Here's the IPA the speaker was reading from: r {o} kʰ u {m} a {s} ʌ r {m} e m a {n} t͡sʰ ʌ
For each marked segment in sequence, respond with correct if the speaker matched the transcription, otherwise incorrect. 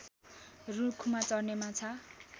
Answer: incorrect: u, correct, incorrect: t͡s, incorrect: n, incorrect: none

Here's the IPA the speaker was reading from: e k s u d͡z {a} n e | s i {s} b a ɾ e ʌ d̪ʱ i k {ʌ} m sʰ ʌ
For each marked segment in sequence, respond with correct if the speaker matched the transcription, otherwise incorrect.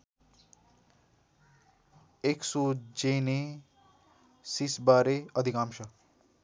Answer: incorrect: e, correct, incorrect: a

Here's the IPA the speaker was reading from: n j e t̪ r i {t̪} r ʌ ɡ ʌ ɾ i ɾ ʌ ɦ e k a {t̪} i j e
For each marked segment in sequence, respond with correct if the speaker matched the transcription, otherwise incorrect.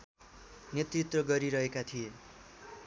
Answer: correct, incorrect: t̪ʰ

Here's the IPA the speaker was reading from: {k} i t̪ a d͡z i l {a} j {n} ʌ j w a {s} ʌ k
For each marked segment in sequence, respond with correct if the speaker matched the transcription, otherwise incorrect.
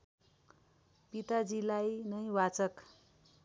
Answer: incorrect: p, correct, correct, incorrect: t͡s

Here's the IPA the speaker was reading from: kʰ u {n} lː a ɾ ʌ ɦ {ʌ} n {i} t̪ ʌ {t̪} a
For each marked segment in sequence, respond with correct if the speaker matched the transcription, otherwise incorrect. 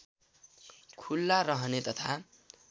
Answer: incorrect: none, correct, incorrect: e, incorrect: t̪ʰ

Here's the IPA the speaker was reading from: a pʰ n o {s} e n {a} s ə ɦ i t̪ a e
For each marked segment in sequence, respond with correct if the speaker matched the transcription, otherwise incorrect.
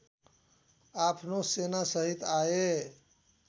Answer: correct, correct

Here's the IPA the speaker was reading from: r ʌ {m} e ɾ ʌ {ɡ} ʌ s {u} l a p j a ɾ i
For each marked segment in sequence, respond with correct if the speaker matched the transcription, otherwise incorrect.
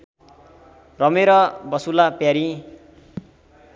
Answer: correct, incorrect: b, correct

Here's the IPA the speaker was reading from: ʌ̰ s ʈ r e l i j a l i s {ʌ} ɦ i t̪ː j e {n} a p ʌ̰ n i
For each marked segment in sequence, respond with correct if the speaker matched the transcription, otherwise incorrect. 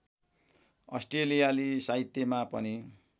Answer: incorrect: a, incorrect: m

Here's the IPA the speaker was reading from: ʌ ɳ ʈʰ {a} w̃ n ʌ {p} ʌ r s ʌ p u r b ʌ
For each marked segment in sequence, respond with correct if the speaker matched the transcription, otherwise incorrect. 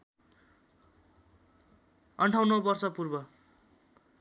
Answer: correct, incorrect: b

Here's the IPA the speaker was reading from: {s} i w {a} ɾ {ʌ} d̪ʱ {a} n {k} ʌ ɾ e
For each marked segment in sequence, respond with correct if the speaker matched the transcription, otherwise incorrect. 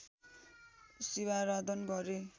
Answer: correct, correct, incorrect: a, incorrect: ʌ, incorrect: ɡ

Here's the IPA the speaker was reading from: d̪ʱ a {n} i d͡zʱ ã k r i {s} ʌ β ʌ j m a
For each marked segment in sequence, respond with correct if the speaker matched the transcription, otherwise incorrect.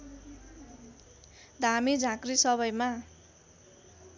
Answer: incorrect: m, correct

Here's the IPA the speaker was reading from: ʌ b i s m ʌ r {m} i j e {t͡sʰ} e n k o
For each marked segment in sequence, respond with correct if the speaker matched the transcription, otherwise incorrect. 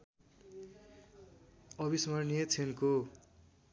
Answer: incorrect: n, correct

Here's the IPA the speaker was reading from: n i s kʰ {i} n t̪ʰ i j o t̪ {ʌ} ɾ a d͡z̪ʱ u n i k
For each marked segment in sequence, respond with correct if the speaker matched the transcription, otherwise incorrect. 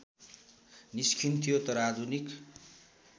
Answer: correct, correct

